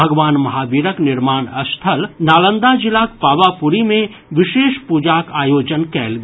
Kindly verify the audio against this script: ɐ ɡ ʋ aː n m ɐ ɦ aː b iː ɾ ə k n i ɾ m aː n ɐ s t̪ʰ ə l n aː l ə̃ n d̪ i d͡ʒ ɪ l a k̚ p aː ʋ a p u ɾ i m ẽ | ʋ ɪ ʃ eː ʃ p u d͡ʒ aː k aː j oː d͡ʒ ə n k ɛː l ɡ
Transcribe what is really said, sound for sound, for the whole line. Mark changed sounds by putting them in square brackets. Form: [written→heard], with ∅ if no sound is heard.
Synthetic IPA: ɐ ɡ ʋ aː n m ɐ ɦ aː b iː ɾ ə k n [i→ɪ] ɾ m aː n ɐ s t̪ʰ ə l n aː l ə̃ n d̪ [i→a] d͡ʒ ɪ l a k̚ p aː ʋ a p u ɾ i m ẽ | ʋ ɪ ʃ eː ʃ p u d͡ʒ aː k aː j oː d͡ʒ ə n k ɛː l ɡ

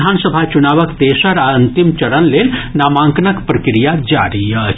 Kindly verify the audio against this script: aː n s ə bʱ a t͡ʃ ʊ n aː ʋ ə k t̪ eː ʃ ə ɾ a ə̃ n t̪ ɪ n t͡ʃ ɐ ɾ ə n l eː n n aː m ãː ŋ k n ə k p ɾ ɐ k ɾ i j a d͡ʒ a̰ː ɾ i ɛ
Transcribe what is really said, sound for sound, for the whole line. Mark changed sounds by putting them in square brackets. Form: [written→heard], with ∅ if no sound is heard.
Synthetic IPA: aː n s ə bʱ a t͡ʃ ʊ n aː ʋ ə k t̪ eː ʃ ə ɾ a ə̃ n t̪ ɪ [n→m] t͡ʃ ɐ ɾ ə n l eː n n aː m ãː ŋ k n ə k p ɾ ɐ k ɾ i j a d͡ʒ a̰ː ɾ i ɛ

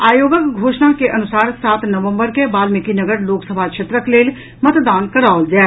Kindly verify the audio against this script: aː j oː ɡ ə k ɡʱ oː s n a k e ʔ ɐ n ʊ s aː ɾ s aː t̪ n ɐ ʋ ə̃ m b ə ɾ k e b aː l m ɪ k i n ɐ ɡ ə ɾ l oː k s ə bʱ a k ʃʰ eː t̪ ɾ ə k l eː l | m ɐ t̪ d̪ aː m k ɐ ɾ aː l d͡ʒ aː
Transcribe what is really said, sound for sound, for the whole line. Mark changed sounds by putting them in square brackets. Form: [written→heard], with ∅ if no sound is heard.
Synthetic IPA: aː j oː ɡ ə k ɡʱ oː [s→ʃ] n a k e ʔ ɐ n ʊ s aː ɾ s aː t̪ n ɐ ʋ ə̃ m b ə ɾ k e b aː l m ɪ k i n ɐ ɡ ə ɾ l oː k s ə bʱ a k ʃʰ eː t̪ ɾ ə k l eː l | m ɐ t̪ d̪ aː [m→n] k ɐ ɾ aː l d͡ʒ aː

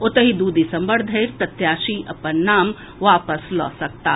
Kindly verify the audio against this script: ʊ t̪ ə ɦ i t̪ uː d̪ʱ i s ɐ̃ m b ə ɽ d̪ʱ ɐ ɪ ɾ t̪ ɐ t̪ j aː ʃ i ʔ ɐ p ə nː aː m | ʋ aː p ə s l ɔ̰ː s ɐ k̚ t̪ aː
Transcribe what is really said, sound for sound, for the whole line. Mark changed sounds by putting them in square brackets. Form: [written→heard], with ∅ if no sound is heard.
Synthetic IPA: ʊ t̪ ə ɦ i [t̪→d̪] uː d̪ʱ i s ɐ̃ m b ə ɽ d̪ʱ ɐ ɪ ɾ t̪ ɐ t̪ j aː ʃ i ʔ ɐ p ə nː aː m | ʋ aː p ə s l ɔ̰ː s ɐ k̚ t̪ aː

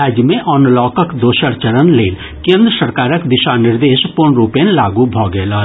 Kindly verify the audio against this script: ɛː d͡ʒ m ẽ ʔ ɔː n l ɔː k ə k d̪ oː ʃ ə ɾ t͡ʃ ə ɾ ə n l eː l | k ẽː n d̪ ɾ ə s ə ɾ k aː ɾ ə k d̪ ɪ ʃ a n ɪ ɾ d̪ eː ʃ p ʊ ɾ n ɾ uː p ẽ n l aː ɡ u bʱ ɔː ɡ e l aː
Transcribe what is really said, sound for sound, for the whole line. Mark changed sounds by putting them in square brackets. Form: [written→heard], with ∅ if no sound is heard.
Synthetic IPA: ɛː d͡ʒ m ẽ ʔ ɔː n l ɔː k ə k d̪ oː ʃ ə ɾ t͡ʃ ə ɾ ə n l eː l | k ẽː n d̪ ɾ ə s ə ɾ k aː ɾ ə k d̪ ɪ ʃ a n ɪ ɾ d̪ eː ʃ p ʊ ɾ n ɾ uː p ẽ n l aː ɡ u bʱ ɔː ɡ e l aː

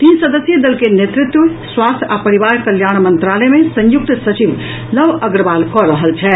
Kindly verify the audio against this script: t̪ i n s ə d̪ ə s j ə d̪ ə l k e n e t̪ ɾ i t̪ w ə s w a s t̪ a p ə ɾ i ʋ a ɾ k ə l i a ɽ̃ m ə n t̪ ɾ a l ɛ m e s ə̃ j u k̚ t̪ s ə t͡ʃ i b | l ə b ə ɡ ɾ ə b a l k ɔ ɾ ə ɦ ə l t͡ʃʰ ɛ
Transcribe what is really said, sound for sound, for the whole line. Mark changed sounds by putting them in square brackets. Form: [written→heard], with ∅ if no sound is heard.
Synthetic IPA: t̪ i n s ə d̪ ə s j ə d̪ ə l k e n e t̪ ɾ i t̪ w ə s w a s [t̪→t̪ʰ] a p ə ɾ i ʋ a ɾ k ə l [i→j] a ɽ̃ m ə n t̪ ɾ a l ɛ m e s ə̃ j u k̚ t̪ s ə t͡ʃ i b | l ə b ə ɡ ɾ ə b a l k ɔ ɾ ə ɦ ə l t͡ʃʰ ɛ

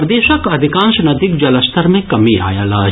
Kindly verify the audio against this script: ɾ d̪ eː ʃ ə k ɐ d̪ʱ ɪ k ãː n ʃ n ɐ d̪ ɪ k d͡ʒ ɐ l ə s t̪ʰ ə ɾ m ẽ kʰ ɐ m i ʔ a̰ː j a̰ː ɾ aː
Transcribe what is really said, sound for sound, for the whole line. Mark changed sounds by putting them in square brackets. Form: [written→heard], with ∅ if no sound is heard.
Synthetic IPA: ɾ d̪ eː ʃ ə k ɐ d̪ʱ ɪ k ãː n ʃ n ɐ d̪ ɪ k d͡ʒ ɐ l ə s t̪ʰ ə ɾ m ẽ [kʰ→k] ɐ m i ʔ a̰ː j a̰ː [ɾ→l] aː

